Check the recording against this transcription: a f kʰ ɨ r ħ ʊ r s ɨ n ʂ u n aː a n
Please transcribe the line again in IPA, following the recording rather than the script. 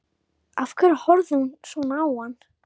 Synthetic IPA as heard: a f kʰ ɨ r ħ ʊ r z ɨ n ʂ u n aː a n